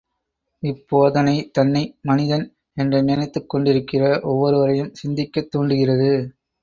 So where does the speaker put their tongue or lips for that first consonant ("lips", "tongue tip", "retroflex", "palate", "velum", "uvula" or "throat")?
lips